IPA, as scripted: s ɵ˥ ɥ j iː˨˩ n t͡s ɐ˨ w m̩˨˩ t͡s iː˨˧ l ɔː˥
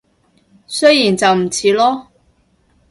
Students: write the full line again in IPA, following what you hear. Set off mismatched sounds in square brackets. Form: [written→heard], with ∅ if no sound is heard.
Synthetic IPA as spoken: s ɵ˥ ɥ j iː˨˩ n t͡s ɐ˨ w m̩˨˩ [t͡s→t͡sʰ] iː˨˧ l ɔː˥